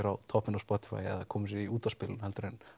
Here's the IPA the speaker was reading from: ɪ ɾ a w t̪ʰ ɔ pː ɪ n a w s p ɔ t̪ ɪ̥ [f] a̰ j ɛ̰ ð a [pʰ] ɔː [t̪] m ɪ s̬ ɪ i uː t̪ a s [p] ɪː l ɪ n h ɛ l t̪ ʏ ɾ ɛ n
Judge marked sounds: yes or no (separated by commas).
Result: yes, no, no, yes